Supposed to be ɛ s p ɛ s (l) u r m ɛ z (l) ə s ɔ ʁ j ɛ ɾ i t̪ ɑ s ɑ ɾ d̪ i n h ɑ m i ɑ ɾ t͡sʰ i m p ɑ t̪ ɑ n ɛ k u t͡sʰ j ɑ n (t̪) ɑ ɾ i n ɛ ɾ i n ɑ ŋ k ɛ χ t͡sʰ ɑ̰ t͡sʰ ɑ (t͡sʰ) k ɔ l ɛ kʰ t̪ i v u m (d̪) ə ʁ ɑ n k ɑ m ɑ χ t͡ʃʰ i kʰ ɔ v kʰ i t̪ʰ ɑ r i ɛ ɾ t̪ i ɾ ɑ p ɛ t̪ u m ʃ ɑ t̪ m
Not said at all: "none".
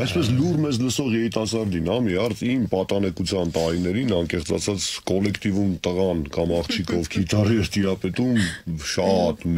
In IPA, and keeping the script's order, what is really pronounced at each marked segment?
l, l, t̪, t͡s, t̪

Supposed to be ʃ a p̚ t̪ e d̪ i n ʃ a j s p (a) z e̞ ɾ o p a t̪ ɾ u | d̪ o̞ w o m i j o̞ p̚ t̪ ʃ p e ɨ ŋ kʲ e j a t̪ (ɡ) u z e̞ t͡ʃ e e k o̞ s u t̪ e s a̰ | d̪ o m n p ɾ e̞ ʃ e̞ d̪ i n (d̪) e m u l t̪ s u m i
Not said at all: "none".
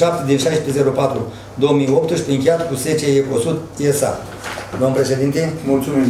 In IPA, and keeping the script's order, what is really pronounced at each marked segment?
e, k, t̪

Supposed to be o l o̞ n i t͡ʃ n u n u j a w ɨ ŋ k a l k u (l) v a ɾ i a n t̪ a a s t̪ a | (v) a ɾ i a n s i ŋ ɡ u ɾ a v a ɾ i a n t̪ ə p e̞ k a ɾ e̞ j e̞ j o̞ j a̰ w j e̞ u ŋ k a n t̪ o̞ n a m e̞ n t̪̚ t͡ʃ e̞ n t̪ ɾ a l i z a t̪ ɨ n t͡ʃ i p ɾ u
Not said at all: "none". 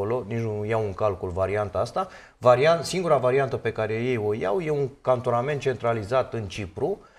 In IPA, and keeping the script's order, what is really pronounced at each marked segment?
l, v

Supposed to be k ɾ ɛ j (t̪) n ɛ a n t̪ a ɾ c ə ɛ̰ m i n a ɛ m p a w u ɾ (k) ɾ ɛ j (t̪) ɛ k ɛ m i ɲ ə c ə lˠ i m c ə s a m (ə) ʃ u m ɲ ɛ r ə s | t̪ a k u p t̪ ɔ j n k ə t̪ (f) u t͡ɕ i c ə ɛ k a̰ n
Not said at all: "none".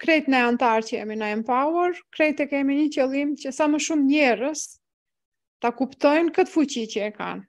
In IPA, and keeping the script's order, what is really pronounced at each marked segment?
t̪, k, t̪, ə, f

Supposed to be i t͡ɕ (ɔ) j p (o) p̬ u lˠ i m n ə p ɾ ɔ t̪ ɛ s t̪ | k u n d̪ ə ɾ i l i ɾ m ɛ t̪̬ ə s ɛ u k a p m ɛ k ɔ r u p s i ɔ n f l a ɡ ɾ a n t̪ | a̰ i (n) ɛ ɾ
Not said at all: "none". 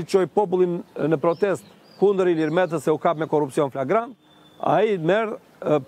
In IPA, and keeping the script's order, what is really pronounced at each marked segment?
ɔ, ɔ, m

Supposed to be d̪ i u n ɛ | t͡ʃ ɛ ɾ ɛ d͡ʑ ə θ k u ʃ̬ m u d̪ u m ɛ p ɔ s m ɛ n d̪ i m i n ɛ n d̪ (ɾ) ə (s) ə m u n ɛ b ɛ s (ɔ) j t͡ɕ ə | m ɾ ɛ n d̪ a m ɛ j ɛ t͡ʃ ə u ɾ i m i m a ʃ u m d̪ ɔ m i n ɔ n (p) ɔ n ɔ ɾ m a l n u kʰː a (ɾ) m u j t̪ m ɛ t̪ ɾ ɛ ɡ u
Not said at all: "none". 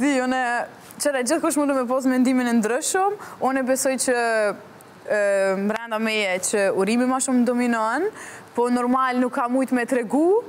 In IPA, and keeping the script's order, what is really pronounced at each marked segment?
ɾ, ʃ, ɔ, p, none

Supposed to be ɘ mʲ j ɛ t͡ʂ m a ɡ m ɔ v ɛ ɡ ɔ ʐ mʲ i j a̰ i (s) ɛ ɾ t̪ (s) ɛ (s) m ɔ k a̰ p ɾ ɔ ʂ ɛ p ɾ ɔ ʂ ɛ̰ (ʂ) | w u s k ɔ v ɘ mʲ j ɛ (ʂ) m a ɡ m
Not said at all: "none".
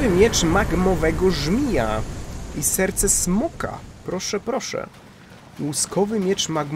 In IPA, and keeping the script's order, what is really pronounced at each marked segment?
s, s, s, none, t͡ʂ

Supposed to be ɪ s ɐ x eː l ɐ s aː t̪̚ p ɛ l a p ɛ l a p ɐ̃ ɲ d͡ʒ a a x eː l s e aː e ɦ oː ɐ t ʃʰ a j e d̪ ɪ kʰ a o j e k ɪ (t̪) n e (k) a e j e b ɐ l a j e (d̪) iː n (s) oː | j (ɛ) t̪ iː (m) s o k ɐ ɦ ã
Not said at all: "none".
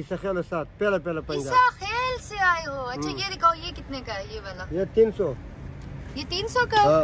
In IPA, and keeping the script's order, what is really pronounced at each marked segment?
t̪, k, t̪, s, e, n

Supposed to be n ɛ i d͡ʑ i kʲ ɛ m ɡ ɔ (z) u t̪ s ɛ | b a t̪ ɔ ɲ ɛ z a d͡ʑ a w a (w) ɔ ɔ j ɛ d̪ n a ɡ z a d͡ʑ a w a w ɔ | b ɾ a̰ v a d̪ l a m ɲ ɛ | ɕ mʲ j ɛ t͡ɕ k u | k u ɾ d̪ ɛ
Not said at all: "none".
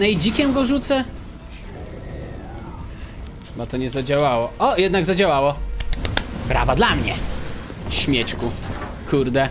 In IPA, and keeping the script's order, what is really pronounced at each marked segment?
ʐ, w

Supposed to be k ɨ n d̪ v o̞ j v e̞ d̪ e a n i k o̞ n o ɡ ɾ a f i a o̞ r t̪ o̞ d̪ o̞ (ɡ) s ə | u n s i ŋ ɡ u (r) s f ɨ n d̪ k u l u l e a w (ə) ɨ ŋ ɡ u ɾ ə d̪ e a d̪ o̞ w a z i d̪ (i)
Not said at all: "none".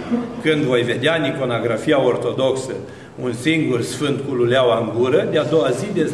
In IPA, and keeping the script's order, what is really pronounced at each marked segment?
k, r, a, e

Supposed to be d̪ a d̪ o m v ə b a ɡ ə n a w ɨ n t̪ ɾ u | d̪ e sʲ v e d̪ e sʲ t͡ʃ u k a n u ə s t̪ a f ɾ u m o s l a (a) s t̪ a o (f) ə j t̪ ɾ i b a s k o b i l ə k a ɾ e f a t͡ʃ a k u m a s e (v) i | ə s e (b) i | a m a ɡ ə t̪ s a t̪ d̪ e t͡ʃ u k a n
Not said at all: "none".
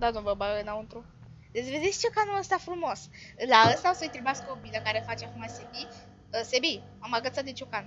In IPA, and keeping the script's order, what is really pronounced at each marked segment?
ə, s, b, b

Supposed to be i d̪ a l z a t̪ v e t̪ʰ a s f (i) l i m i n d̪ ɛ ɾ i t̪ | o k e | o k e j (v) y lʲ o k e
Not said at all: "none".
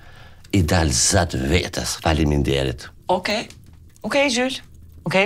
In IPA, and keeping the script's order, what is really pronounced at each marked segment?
a, ʒ

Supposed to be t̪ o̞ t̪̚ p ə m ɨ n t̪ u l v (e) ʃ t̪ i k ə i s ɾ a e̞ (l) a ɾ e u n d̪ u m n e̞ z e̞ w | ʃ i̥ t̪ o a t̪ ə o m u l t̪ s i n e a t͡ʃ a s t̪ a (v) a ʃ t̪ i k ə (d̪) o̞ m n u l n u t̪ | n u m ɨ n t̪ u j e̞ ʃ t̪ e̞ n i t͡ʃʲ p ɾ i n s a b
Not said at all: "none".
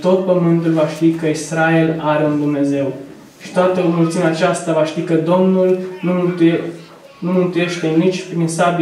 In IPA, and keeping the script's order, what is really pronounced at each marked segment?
a, l, v, d̪

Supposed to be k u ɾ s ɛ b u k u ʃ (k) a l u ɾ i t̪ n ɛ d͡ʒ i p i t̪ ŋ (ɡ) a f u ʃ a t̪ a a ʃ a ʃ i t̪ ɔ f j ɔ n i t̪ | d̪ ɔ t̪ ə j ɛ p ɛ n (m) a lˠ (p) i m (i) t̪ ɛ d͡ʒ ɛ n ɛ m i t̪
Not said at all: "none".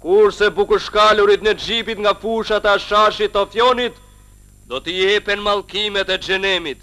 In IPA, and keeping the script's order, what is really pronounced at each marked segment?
k, ɡ, m, k, ɛ

